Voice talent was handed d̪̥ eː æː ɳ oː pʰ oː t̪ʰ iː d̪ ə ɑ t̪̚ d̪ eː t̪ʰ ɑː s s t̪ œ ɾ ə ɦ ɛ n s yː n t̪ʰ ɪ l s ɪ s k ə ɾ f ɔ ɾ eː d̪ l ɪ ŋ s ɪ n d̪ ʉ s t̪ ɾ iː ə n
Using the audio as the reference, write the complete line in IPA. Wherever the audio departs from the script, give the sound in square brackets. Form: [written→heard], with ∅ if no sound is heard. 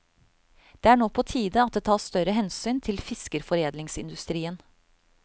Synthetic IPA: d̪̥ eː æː ɳ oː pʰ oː t̪ʰ iː d̪ ə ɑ t̪̚ d̪ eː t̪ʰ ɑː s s t̪ œ ɾ ə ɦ ɛ n s yː n t̪ʰ ɪ l [s→f] ɪ s k ə ɾ f ɔ ɾ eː d̪ l ɪ ŋ s ɪ n d̪ ʉ s t̪ ɾ iː ə n

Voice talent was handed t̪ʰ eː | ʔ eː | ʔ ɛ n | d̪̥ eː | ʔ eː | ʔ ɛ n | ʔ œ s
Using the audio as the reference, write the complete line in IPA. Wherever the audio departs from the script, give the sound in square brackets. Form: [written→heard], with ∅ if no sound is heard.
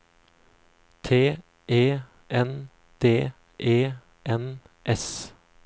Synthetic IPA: t̪ʰ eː | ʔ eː | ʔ ɛ n | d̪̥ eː | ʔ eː | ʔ ɛ n | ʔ [œ→ɛ] s

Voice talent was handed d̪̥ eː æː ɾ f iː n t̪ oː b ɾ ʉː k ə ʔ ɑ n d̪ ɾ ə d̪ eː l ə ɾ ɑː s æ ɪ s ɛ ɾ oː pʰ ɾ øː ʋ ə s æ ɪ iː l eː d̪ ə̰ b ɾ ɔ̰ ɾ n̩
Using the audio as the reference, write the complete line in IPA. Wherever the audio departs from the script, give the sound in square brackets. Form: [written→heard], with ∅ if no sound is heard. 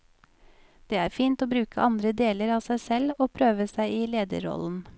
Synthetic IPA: d̪̥ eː æː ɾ f iː n t̪ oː b ɾ ʉː k ə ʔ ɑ n d̪ ɾ ə d̪ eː l ə ɾ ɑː s æ ɪ s ɛ [ɾ→l] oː pʰ ɾ øː ʋ ə s æ ɪ iː l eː d̪ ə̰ [b→∅] ɾ ɔ̰ [ɾ→l] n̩

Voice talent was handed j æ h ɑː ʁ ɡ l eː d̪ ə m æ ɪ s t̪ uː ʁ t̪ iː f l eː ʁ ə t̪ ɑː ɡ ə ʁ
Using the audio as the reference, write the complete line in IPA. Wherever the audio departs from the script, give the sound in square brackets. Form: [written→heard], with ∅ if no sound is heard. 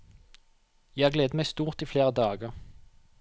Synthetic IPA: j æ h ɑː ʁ ɡ l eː d̪ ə m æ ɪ s t̪ uː ʁ t̪ iː f l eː ʁ ə [t̪→d̪] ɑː ɡ ə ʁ

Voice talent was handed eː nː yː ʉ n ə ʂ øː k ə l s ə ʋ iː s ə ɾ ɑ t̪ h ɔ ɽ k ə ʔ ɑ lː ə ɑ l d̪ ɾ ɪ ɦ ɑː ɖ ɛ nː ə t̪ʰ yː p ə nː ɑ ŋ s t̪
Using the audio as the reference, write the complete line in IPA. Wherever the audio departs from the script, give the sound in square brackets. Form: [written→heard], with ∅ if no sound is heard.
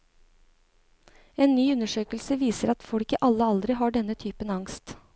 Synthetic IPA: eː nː yː ʉ n ə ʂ øː k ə l s ə ʋ iː s ə ɾ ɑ t̪ [h→f] ɔ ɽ k ə ʔ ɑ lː ə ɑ l d̪ ɾ ɪ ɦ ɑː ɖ ɛ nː ə t̪ʰ yː p ə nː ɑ ŋ s t̪

